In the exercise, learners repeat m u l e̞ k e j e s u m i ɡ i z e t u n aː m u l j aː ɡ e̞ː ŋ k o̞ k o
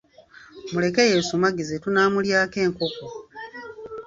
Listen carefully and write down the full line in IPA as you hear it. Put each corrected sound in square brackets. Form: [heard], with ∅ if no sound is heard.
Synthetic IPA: m u l e̞ k e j e s u m [a] ɡ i z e t u n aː m u l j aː [k] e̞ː ŋ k o̞ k o